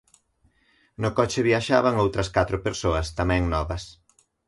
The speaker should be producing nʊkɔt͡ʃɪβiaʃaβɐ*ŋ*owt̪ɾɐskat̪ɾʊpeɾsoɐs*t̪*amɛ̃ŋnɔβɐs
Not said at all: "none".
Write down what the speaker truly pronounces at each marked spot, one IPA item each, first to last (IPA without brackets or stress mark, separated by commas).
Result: ŋ, t̪